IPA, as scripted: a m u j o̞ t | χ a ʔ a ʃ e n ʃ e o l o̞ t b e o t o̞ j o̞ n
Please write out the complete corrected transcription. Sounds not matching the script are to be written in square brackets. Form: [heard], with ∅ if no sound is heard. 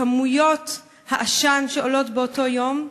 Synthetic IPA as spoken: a m u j o̞ t | [h] a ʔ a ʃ [a] n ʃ e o l o̞ t b e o t o̞ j o̞ [m]